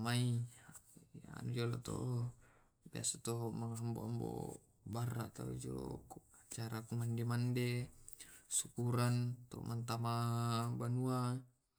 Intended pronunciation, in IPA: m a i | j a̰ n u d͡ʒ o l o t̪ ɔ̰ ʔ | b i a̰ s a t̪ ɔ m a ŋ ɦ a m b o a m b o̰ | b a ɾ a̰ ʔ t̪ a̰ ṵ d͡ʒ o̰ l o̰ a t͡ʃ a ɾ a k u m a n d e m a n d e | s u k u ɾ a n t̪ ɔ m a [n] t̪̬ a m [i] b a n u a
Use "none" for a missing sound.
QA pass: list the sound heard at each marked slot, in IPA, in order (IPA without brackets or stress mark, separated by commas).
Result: n, a